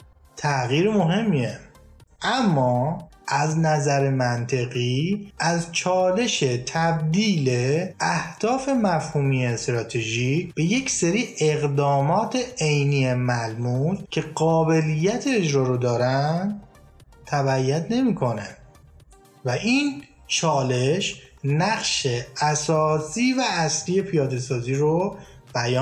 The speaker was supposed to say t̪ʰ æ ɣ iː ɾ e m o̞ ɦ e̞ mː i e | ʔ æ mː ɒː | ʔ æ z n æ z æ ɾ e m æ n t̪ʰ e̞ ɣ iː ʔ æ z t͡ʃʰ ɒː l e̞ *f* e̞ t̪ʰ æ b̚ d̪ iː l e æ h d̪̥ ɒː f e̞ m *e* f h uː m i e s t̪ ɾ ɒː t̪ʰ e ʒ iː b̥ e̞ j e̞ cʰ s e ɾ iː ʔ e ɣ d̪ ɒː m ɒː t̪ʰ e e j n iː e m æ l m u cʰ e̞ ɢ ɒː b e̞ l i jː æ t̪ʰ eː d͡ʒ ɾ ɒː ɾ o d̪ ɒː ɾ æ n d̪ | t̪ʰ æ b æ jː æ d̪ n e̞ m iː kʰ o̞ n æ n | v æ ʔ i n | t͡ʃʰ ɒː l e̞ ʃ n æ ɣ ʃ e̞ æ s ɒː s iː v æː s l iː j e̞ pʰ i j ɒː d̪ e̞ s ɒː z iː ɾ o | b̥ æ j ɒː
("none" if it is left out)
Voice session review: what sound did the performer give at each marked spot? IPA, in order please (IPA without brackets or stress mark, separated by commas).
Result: ʃ, æ